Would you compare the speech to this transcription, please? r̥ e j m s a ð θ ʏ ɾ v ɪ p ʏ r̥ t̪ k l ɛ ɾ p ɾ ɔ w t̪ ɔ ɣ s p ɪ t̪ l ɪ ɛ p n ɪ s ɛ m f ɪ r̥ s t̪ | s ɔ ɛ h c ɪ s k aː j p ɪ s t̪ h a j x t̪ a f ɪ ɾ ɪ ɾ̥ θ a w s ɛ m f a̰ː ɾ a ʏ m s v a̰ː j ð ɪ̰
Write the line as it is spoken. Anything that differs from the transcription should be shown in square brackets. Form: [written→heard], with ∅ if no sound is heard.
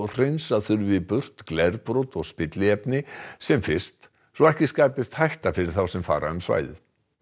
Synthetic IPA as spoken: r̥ e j [m→n] s a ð θ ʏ ɾ v ɪ p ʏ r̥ t̪ k l ɛ ɾ p ɾ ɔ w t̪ ɔ ɣ s p ɪ t̪ l ɪ ɛ p n ɪ s ɛ m f ɪ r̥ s t̪ | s ɔ ɛ h c ɪ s k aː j p ɪ s t̪ h a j [x→h] t̪ a f ɪ ɾ ɪ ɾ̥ θ a w s ɛ m f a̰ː ɾ a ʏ m s v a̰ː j ð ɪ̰